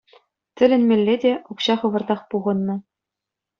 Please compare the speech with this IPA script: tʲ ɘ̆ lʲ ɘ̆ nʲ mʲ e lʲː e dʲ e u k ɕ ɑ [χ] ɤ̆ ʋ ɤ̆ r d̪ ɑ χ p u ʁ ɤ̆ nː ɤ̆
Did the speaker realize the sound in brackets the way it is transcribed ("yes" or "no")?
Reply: yes